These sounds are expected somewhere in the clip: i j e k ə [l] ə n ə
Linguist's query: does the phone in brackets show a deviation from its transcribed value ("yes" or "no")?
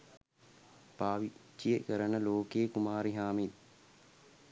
yes